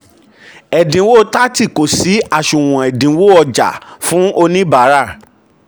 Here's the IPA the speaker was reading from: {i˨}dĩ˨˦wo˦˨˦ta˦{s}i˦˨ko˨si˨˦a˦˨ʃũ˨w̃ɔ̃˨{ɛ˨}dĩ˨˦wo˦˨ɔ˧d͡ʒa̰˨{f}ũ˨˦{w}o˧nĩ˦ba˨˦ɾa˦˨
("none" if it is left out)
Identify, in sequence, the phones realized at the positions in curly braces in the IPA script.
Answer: ɛ˨, t, ɛ˨, f, none

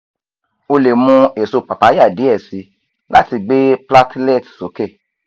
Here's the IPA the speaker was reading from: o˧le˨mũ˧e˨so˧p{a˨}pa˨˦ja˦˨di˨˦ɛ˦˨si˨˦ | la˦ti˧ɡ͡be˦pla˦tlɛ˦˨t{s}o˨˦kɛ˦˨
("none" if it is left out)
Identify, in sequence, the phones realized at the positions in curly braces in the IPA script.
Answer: a˨, s

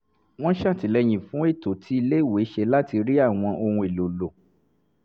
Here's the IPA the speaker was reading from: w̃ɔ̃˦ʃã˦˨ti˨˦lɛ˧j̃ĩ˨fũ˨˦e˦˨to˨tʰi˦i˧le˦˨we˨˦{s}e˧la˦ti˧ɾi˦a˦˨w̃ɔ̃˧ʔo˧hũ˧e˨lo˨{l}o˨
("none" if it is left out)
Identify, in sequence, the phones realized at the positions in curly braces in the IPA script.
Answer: ʃ, l

